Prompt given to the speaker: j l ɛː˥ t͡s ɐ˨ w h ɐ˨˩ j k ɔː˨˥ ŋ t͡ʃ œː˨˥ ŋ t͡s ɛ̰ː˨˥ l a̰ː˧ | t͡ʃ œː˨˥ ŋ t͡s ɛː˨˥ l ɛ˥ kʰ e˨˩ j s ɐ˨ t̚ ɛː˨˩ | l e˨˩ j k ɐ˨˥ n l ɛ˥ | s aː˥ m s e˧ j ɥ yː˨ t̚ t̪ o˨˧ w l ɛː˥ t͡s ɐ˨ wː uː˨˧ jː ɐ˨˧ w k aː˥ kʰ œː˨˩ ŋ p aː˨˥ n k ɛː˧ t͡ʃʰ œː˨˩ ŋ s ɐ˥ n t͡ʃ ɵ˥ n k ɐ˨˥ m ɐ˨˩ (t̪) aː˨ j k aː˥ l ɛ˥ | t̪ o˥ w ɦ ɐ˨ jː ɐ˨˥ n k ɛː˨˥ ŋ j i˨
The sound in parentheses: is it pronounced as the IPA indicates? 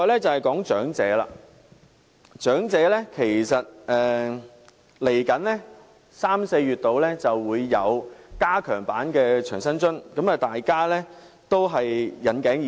yes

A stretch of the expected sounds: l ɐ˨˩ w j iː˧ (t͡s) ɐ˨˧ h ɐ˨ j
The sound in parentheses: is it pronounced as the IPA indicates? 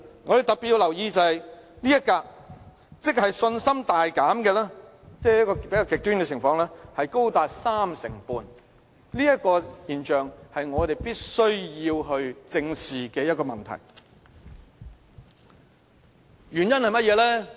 yes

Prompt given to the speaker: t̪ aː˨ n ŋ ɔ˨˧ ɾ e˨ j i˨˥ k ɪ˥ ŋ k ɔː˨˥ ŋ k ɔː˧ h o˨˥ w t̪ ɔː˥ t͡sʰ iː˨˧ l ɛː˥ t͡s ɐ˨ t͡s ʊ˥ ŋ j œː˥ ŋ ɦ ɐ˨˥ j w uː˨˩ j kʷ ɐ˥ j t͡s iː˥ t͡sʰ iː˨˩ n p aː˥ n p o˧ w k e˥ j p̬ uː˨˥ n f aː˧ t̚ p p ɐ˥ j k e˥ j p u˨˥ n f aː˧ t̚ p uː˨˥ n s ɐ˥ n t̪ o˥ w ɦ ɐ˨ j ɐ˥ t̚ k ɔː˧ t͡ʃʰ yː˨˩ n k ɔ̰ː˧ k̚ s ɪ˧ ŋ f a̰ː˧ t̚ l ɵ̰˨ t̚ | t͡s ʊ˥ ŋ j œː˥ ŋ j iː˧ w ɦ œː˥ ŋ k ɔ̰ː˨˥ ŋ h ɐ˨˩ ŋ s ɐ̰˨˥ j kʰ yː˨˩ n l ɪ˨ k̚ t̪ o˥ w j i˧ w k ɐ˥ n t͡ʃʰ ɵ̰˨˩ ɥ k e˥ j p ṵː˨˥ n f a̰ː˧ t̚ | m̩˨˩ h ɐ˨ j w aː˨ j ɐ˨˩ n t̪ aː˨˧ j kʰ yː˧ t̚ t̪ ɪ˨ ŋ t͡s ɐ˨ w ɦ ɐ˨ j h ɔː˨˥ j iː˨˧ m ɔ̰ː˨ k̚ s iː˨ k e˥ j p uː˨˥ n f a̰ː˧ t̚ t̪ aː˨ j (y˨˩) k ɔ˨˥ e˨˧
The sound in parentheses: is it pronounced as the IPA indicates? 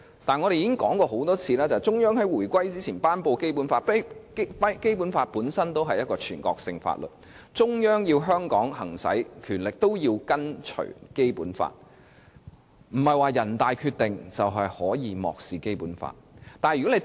yes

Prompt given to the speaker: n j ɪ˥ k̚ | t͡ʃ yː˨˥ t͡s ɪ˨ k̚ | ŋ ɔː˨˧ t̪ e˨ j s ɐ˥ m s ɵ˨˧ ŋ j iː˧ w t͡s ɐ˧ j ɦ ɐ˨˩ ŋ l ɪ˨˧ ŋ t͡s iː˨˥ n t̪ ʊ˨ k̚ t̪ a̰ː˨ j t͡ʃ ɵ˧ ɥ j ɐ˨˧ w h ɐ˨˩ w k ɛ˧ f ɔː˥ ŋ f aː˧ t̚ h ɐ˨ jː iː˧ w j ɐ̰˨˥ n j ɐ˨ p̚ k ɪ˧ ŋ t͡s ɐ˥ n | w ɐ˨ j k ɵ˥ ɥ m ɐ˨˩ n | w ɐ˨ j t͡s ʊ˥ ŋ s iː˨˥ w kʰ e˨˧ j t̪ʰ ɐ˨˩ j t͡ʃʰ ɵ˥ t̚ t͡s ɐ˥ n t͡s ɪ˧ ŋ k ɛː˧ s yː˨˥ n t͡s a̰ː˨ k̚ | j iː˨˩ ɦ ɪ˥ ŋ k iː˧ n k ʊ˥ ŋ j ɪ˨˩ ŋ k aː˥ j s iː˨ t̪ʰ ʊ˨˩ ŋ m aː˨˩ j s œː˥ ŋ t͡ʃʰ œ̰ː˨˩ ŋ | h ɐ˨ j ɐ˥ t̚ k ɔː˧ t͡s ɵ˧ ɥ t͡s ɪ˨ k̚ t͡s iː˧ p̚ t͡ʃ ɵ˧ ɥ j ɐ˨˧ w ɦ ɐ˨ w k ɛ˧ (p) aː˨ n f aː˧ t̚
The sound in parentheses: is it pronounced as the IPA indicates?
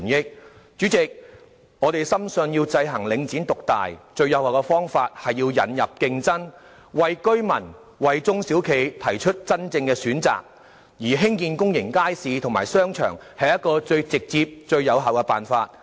yes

